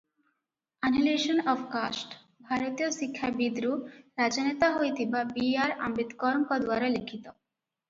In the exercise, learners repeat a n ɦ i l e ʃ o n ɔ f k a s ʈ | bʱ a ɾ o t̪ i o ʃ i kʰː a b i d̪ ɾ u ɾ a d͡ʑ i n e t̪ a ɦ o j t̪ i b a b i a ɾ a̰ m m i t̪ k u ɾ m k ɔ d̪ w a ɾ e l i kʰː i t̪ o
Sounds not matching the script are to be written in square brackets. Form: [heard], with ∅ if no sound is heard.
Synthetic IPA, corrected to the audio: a n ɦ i l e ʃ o n ɔ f k a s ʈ | bʱ a ɾ o t̪ i o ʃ i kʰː a b i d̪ ɾ u ɾ a d͡ʑ [a] n e t̪ a ɦ o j t̪ i b a b i a ɾ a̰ m [b] i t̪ k [ɔ] ɾ m k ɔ d̪ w a ɾ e l i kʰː i t̪ o

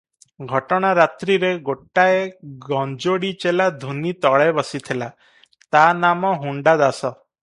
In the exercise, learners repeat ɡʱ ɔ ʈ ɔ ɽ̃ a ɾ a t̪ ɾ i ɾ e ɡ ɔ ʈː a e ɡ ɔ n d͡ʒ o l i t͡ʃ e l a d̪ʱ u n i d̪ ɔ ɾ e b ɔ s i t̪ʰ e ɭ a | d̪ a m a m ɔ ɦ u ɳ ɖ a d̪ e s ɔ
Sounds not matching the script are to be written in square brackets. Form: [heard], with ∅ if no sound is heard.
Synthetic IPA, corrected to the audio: ɡʱ ɔ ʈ ɔ ɽ̃ a ɾ a t̪ ɾ i ɾ e ɡ [o] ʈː a e ɡ ɔ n d͡ʒ o [ɽ] i t͡ʃ e l a d̪ʱ u n i [t̪] ɔ [ɭ] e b ɔ s i t̪ʰ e [l] a | [t̪] a [n] a m ɔ ɦ u ɳ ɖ a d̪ [a] s ɔ

